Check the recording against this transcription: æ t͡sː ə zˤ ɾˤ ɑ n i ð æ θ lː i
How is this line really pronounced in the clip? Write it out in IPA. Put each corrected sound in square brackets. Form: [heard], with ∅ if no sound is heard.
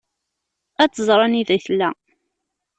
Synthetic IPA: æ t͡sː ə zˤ ɾˤ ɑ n i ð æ θ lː [æ]